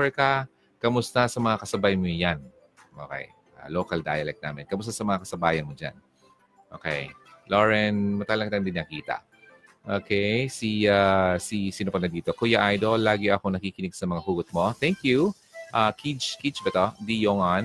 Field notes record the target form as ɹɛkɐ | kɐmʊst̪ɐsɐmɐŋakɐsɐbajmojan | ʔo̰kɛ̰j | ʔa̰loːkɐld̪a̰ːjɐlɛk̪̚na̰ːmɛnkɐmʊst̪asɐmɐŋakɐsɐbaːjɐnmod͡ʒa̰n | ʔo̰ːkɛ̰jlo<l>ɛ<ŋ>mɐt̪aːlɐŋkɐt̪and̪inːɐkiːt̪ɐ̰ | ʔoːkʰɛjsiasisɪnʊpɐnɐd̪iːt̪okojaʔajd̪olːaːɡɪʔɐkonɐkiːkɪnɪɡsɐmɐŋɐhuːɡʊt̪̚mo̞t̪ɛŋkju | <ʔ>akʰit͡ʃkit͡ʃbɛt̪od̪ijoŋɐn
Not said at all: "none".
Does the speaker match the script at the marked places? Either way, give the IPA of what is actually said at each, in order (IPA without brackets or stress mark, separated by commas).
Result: ɹ, n, ʔ